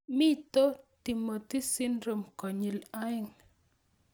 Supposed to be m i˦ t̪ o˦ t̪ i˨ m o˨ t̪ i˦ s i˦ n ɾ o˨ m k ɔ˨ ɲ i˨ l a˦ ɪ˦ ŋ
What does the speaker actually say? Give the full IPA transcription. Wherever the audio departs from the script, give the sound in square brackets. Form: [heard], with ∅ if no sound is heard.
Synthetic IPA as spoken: m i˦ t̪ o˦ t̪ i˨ m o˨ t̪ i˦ s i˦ n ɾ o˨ m k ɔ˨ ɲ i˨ l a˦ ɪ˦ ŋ